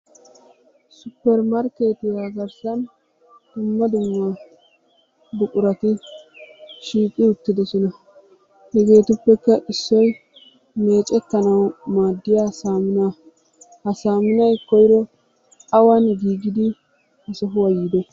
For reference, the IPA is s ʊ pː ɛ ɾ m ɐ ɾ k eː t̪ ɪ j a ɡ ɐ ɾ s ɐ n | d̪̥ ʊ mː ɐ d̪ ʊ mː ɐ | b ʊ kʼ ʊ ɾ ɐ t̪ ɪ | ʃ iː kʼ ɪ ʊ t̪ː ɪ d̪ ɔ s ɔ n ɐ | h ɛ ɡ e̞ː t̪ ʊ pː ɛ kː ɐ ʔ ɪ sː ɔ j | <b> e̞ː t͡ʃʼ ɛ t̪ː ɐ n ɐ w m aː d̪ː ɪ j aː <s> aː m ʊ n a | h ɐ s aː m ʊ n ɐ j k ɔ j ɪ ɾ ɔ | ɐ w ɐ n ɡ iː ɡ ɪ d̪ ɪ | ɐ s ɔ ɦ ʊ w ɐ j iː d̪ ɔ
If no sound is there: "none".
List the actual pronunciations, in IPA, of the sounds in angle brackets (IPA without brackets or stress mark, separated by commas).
m, s